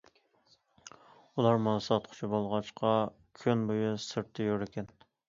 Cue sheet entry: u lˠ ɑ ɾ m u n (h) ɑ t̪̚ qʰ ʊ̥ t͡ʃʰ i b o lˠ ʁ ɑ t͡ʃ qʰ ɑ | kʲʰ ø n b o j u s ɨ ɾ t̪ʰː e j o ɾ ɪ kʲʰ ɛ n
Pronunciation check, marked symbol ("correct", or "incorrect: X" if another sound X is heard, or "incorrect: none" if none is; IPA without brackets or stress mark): incorrect: s